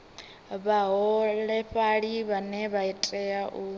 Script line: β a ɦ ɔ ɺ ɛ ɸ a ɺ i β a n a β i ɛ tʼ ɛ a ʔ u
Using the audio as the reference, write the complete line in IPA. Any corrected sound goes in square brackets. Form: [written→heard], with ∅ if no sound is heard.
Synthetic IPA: β a ɦ ɔ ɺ ɛ ɸ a ɺ i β a n [a→ɛ] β [i→a] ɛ tʼ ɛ a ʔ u

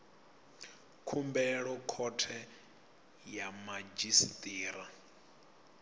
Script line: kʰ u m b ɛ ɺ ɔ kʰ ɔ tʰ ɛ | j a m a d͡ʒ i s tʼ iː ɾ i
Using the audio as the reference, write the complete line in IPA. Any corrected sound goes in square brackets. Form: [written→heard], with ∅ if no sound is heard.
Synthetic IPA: kʰ u m b ɛ ɺ ɔ kʰ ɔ tʰ ɛ | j a m a d͡ʒ i s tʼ iː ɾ [i→a]

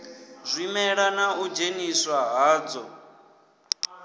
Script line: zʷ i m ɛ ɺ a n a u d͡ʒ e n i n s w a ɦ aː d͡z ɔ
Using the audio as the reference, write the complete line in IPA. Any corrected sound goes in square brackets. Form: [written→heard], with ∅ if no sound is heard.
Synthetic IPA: zʷ i m ɛ ɺ a n a u d͡ʒ e n i [n→∅] s w a ɦ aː d͡z ɔ

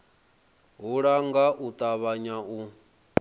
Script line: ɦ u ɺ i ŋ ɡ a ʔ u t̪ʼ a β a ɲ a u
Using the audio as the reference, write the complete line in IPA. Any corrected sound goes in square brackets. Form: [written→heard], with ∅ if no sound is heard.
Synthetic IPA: ɦ u ɺ [i→a] ŋ ɡ a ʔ u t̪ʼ a β a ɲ a u

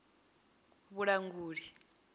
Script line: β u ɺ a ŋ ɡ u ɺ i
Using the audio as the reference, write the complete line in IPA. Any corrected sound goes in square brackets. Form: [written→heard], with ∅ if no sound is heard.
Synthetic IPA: β u ɺ a ŋ ɡ [u→uː] ɺ i

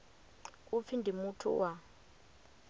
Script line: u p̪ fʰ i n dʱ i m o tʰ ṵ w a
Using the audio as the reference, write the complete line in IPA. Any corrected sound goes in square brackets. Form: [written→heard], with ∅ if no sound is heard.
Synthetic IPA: u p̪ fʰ i n dʱ i m [o→u] tʰ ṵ w a

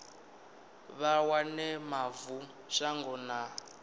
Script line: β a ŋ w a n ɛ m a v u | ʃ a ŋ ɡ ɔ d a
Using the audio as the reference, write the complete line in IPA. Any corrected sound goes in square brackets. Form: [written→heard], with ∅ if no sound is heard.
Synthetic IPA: β a [ŋ→∅] w a n ɛ m a v u | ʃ a ŋ ɡ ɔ [d→n] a

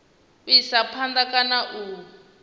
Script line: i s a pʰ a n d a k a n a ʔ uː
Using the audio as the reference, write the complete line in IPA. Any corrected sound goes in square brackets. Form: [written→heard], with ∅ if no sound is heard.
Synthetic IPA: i s a pʰ a n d a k a n a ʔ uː

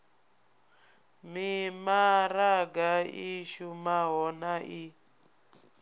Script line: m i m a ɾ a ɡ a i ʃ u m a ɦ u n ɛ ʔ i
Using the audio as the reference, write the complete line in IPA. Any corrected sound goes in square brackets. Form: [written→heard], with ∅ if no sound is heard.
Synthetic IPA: m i m a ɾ a ɡ a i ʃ u m a ɦ [u→ɔ] n [ɛ→a] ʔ i

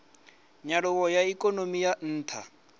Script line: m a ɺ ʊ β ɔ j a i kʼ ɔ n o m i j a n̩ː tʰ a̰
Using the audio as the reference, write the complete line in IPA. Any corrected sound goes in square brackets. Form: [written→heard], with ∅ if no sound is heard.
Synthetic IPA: [m→ɲ] a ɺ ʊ [β→w] ɔ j a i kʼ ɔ n o m i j a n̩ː tʰ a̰

